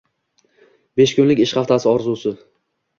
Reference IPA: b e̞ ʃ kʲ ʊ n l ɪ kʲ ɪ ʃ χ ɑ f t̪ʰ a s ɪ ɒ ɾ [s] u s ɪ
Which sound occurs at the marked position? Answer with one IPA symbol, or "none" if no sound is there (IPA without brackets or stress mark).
z